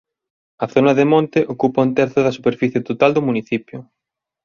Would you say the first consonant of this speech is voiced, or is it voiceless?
voiceless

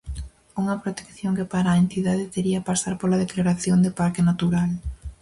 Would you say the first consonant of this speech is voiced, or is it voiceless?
voiced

